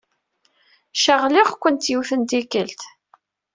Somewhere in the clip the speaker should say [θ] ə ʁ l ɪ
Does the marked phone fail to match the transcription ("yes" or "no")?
yes